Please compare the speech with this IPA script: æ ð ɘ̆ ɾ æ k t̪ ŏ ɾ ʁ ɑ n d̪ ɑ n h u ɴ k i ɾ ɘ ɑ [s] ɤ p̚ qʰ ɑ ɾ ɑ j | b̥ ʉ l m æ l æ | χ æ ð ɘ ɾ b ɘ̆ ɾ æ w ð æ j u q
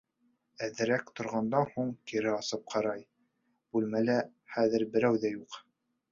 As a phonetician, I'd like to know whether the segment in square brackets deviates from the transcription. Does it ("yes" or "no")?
no